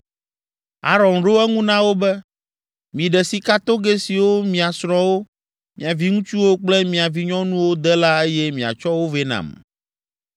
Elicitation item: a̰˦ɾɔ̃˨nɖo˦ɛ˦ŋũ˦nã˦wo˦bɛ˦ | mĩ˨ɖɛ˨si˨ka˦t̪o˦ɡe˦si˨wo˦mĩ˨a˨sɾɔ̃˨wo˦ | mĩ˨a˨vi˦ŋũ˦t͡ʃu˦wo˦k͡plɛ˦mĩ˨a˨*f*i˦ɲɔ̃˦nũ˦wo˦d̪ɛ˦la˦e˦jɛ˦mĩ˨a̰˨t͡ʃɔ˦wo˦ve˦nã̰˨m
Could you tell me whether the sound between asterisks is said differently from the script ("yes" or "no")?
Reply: yes